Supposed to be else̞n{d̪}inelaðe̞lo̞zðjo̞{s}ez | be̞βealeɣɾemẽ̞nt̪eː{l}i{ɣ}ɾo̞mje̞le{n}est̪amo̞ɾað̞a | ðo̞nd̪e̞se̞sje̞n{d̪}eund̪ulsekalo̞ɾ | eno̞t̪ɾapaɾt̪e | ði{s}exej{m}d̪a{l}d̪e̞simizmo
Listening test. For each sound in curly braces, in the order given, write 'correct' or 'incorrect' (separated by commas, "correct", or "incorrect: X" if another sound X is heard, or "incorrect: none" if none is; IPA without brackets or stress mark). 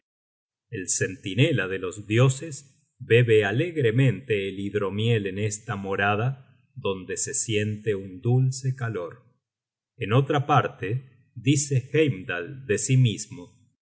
incorrect: t̪, correct, correct, incorrect: ð, correct, incorrect: t̪, correct, correct, correct